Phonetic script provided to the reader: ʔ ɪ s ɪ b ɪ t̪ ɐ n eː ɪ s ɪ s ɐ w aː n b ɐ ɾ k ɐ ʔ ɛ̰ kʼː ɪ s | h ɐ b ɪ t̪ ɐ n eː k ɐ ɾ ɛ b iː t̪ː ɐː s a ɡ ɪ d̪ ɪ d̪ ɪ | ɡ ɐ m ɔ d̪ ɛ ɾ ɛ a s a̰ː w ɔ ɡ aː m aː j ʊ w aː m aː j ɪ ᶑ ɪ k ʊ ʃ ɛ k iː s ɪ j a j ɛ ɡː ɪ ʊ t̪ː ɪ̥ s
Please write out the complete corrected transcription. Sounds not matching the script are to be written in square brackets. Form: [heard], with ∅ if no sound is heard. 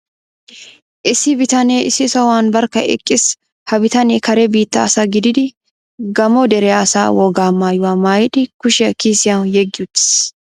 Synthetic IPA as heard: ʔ ɪ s ɪ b ɪ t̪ ɐ n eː ɪ s ɪ s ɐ w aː n b ɐ ɾ k ɐ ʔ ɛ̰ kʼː ɪ s | h ɐ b ɪ t̪ ɐ n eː k ɐ ɾ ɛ b iː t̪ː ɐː s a ɡ ɪ d̪ ɪ d̪ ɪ | ɡ ɐ m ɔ d̪ ɛ ɾ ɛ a s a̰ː w ɔ ɡ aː m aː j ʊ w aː m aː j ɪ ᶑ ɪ k ʊ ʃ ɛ k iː s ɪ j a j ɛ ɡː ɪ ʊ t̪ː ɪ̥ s

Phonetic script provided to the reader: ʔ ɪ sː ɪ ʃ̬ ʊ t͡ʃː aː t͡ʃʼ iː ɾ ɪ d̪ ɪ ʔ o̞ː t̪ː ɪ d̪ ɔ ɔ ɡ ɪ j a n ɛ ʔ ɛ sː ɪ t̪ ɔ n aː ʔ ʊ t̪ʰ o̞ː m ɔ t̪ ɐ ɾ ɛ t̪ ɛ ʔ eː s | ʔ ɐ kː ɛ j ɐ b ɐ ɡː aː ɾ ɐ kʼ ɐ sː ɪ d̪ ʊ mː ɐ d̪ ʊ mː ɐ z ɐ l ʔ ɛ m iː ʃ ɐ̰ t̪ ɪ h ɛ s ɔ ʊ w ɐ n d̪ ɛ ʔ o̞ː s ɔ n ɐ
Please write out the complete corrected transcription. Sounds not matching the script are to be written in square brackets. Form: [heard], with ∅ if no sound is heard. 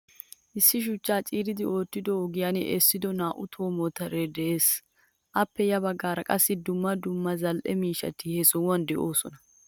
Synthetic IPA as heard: ʔ ɪ sː ɪ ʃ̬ ʊ t͡ʃː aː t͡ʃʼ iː ɾ ɪ d̪ ɪ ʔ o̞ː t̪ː ɪ d̪ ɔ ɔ ɡ ɪ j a n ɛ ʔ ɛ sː ɪ [d̪] ɔ n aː ʔ ʊ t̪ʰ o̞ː m ɔ t̪ ɐ ɾ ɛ [d̪] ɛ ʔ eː s | ʔ ɐ [pː] ɛ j ɐ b ɐ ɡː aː ɾ ɐ kʼ ɐ sː ɪ d̪ ʊ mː ɐ d̪ ʊ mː ɐ z ɐ l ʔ ɛ m iː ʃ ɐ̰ t̪ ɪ h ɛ s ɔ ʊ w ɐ n d̪ ɛ ʔ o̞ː s ɔ n ɐ

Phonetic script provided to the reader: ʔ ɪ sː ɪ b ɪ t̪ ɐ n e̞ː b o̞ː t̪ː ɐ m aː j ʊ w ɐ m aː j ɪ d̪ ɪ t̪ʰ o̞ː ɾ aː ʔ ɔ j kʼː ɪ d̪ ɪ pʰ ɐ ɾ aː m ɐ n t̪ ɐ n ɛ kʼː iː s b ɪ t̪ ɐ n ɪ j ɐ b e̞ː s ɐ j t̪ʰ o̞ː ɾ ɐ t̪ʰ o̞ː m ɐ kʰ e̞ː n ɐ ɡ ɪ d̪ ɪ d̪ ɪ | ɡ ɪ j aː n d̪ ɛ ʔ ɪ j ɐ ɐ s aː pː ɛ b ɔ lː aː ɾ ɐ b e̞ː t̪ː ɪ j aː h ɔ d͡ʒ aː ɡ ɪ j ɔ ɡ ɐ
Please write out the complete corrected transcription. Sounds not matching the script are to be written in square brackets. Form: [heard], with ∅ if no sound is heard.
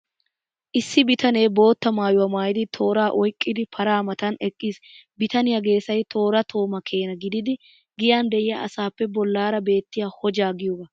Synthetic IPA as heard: ʔ ɪ sː ɪ b ɪ t̪ ɐ n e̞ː b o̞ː t̪ː ɐ m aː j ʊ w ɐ m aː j ɪ d̪ ɪ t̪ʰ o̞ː ɾ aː ʔ ɔ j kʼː ɪ d̪ ɪ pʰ ɐ ɾ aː m ɐ [∅] t̪ ɐ n ɛ kʼː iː s b ɪ t̪ ɐ n ɪ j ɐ [ɡ] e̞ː s ɐ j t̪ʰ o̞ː ɾ ɐ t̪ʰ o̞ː m ɐ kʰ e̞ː n ɐ ɡ ɪ d̪ ɪ d̪ ɪ | ɡ ɪ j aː n d̪ ɛ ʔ ɪ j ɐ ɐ s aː pː ɛ b ɔ lː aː ɾ ɐ b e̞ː t̪ː ɪ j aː h ɔ d͡ʒ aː ɡ ɪ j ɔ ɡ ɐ

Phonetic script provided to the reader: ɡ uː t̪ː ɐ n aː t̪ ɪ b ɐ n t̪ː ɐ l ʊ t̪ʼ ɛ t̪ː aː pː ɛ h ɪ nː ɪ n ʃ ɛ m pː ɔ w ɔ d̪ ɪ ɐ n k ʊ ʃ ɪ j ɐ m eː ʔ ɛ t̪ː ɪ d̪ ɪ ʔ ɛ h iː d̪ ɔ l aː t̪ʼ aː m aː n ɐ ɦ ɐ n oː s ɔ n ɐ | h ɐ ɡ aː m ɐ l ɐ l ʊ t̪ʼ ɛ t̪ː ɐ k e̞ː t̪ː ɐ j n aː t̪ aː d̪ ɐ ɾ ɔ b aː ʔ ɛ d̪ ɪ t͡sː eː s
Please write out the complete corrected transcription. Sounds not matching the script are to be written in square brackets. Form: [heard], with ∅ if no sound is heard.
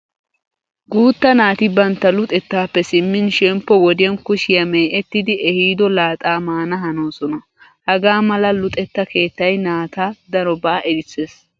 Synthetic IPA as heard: ɡ uː t̪ː ɐ n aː t̪ ɪ b ɐ n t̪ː ɐ l ʊ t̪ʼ ɛ t̪ː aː pː ɛ [s] ɪ [mː] ɪ n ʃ ɛ m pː ɔ w ɔ d̪ ɪ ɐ n k ʊ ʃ ɪ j ɐ m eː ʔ ɛ t̪ː ɪ d̪ ɪ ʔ ɛ h iː d̪ ɔ l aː t̪ʼ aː m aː n ɐ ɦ ɐ n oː s ɔ n ɐ | h ɐ ɡ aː m ɐ l ɐ l ʊ t̪ʼ ɛ t̪ː ɐ k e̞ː t̪ː ɐ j n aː t̪ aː d̪ ɐ ɾ ɔ b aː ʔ ɛ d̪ ɪ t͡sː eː s

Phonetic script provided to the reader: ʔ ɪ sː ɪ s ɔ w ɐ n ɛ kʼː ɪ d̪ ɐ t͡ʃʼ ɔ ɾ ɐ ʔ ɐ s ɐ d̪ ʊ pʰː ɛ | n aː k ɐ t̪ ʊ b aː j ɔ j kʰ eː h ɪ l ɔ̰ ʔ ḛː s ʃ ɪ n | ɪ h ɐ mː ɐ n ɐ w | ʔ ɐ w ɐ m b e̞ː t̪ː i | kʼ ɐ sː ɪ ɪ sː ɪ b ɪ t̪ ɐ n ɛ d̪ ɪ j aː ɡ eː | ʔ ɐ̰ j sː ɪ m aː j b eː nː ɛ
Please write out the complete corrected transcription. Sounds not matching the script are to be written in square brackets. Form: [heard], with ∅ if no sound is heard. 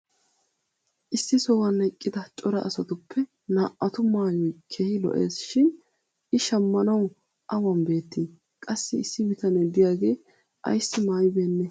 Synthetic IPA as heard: ʔ ɪ sː ɪ s ɔ w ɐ n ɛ kʼː ɪ d̪ ɐ t͡ʃʼ ɔ ɾ ɐ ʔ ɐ s ɐ [t̪] ʊ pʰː ɛ | n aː [ʔ] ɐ t̪ ʊ [m] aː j ɔ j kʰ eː h ɪ l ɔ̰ ʔ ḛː s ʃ ɪ n | ɪ [ʃ] ɐ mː ɐ n ɐ w | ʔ ɐ w ɐ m b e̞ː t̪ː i | kʼ ɐ sː ɪ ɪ sː ɪ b ɪ t̪ ɐ n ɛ d̪ ɪ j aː ɡ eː | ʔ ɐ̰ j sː ɪ m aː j b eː nː ɛ

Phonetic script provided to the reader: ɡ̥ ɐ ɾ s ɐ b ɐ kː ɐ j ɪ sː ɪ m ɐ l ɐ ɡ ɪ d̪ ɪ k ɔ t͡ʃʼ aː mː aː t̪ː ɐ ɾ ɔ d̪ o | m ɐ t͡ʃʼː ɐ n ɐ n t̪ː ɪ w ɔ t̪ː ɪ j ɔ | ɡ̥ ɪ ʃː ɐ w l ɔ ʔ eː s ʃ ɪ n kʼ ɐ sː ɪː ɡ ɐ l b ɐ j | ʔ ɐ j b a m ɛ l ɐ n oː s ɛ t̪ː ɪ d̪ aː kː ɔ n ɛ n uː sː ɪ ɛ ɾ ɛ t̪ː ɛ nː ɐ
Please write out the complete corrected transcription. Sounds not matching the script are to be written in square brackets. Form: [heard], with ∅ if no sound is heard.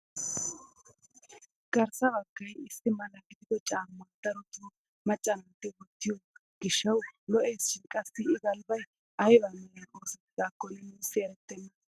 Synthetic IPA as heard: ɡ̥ ɐ ɾ s ɐ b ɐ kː ɐ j ɪ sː ɪ m ɐ l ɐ ɡ ɪ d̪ ɪ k ɔ t͡ʃʼ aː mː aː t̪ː ɐ ɾ ɔ [t̪] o | m ɐ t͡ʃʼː ɐ n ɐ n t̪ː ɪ w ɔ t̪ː ɪ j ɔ | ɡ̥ ɪ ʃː ɐ w l ɔ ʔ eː s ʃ ɪ n kʼ ɐ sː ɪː ɡ ɐ l b ɐ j | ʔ ɐ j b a m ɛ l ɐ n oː s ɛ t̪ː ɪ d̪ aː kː ɔ n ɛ n uː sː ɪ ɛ ɾ ɛ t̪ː ɛ nː ɐ

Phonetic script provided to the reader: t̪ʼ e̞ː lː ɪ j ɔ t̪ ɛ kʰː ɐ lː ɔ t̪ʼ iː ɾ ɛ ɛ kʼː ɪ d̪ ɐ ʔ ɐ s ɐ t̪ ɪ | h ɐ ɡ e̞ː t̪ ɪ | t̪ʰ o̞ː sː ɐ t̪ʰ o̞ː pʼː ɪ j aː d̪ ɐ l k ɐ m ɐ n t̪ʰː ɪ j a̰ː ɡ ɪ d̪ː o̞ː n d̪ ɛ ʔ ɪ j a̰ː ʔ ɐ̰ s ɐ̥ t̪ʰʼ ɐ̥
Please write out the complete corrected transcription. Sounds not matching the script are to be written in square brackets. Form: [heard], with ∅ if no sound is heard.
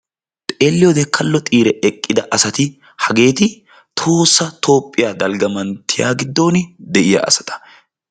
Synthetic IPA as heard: t̪ʼ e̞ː lː ɪ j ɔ [d̪] ɛ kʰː ɐ lː ɔ t̪ʼ iː ɾ ɛ ɛ kʼː ɪ d̪ ɐ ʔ ɐ s ɐ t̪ ɪ | h ɐ ɡ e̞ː t̪ ɪ | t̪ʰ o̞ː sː ɐ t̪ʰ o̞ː pʼː ɪ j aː d̪ ɐ l [ɡ] ɐ m ɐ n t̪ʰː ɪ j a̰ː ɡ ɪ d̪ː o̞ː n d̪ ɛ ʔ ɪ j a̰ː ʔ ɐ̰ s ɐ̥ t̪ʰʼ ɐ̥

